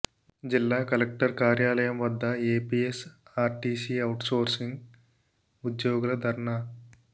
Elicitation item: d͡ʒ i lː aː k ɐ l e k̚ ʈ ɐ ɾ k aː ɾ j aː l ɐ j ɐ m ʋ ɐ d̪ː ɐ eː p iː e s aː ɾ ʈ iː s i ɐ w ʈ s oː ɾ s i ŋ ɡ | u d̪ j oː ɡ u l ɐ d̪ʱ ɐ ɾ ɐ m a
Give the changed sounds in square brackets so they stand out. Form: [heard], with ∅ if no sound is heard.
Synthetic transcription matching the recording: d͡ʒ i lː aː k ɐ l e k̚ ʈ ɐ ɾ k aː ɾ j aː l ɐ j ɐ m ʋ ɐ d̪ː ɐ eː p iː e s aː ɾ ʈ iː s i ɐ w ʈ s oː ɾ s i ŋ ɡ | u d̪ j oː ɡ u l ɐ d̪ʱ ɐ ɾ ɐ [ɳ] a